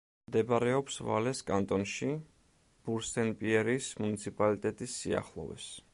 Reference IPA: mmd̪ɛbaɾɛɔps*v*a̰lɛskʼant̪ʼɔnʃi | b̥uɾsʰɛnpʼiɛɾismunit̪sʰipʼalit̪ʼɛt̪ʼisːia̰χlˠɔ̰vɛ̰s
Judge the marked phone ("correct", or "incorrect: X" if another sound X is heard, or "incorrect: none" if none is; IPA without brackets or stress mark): correct